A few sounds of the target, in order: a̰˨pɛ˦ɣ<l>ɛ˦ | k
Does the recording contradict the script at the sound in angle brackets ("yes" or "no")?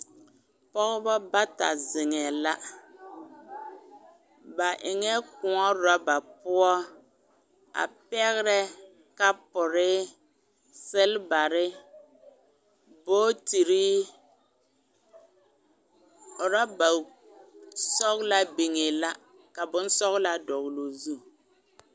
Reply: yes